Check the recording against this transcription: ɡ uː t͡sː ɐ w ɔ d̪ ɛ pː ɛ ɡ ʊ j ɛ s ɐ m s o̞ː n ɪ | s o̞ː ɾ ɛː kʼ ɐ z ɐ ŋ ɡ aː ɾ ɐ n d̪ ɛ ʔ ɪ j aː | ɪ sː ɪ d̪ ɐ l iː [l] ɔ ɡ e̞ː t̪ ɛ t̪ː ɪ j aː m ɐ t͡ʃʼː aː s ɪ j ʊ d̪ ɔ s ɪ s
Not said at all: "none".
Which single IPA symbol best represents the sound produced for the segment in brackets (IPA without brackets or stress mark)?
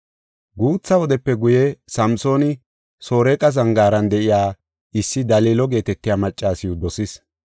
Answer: l